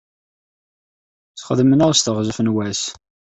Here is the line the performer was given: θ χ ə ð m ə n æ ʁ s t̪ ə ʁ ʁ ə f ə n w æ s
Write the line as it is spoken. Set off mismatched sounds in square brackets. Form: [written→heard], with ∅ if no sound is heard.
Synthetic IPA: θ χ ə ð m ə n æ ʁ s t̪ ə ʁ [ʁ→z] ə f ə n w æ s